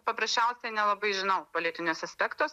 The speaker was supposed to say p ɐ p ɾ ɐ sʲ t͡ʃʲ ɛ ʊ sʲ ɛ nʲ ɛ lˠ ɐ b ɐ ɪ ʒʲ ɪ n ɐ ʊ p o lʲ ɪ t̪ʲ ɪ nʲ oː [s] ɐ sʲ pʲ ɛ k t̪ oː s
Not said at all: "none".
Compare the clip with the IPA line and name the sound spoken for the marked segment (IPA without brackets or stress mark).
s